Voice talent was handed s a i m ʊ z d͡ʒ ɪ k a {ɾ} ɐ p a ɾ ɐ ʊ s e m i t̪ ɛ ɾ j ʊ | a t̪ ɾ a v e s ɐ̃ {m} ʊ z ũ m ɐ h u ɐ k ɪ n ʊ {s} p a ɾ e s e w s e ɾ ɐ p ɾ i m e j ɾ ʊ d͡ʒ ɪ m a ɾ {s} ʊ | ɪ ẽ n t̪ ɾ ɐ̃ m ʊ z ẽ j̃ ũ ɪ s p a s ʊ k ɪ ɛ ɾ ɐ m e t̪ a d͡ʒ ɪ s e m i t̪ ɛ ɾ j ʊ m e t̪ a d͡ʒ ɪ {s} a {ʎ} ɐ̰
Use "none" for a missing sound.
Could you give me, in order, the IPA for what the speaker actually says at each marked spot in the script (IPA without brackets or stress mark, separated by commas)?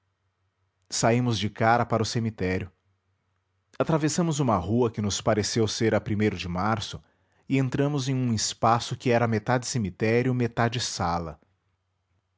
ɾ, m, s, s, s, l